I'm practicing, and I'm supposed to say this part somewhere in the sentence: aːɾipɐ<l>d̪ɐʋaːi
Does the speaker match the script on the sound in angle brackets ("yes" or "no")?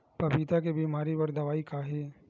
no